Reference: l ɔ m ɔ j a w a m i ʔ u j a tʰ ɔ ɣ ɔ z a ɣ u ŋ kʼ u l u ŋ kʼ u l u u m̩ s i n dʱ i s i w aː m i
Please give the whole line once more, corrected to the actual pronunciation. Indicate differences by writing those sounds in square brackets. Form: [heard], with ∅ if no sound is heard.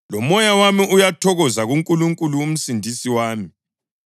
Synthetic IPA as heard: l ɔ m ɔ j a w a m i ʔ u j a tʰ ɔ ɣ ɔ z a ɣ u ŋ kʼ u l u ŋ kʼ u l u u m̩ s i n dʱ i s i w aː m i

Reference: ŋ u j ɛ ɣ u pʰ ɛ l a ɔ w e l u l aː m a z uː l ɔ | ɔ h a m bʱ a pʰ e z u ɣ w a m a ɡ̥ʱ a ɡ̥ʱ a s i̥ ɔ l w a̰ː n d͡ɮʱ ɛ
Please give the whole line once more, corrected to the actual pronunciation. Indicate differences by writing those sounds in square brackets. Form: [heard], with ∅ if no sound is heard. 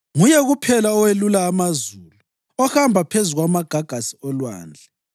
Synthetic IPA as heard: ŋ u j ɛ ɣ u pʰ ɛ l a ɔ w e l u l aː m a z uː l [u] | ɔ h a m bʱ a pʰ e z u ɣ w a m a ɡ̥ʱ a ɡ̥ʱ a s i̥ ɔ l w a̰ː n d͡ɮʱ ɛ

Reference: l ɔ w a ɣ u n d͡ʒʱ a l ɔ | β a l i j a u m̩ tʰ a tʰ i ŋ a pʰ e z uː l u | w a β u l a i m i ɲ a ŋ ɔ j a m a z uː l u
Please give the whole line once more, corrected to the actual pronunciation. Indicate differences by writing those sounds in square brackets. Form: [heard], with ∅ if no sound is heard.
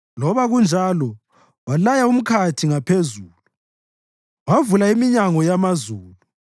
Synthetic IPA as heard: l ɔ [β] a ɣ u n d͡ʒʱ a l ɔ | [w] a l [a] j a u m̩ [kʰ] a tʰ i ŋ a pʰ e z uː l u | w a [v] u l a i m i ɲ a ŋ ɔ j a m a z uː l u

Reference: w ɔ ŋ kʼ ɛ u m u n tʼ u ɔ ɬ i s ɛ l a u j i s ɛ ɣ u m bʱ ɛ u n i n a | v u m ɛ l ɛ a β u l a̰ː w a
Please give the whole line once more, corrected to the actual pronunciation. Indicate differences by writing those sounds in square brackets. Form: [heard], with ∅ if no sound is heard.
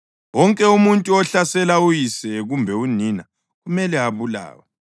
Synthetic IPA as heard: w ɔ ŋ kʼ ɛ u m u n tʼ u ɔ ɬ [a] s ɛ l a u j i s ɛ ɣ u m bʱ ɛ u n i n a | [ɣ] u m ɛ l ɛ a β u l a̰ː w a

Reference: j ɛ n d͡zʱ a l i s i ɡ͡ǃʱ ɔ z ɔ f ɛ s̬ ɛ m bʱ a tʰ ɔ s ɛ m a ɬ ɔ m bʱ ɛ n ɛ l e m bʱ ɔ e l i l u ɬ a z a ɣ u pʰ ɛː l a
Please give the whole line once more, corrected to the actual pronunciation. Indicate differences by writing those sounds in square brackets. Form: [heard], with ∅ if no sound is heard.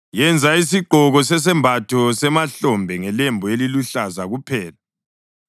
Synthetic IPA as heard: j ɛ n d͡zʱ a [∅] i s i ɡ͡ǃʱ ɔ [ɣ] ɔ [s] ɛ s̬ ɛ m bʱ a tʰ ɔ s ɛ m a ɬ ɔ m bʱ ɛ [ŋ] ɛ l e m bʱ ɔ e l i l u ɬ a z a ɣ u pʰ ɛː l a

